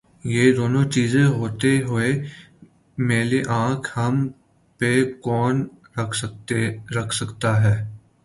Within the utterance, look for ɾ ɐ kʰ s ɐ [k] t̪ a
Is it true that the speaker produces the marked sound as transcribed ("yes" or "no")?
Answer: yes